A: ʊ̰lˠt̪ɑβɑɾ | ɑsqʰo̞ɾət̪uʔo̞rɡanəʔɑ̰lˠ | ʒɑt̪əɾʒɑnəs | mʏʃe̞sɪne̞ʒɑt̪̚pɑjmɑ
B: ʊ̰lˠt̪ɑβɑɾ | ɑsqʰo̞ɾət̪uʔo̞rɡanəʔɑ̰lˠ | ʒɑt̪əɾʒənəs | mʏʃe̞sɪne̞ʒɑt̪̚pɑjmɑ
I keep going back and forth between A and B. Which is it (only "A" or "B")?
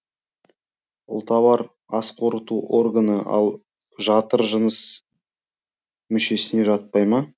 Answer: B